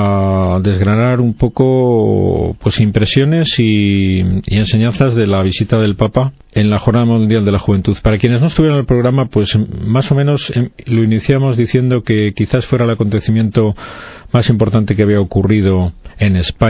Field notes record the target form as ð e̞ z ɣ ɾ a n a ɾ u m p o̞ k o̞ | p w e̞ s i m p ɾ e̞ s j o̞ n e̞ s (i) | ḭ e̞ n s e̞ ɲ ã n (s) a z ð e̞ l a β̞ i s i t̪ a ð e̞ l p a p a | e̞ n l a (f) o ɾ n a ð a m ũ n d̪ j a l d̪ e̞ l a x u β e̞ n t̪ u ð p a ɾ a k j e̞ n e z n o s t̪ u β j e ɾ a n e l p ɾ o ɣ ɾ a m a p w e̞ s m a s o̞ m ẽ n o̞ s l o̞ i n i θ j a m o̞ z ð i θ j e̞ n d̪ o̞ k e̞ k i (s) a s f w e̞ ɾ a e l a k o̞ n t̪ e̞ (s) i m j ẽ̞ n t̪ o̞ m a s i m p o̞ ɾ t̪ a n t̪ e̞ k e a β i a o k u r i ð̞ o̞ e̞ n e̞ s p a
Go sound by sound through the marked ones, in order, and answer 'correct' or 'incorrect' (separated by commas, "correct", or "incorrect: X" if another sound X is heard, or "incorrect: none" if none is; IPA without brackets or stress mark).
correct, incorrect: θ, incorrect: x, incorrect: θ, incorrect: θ